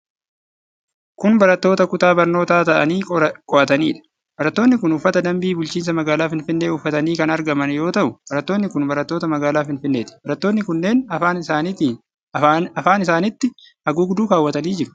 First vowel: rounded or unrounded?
rounded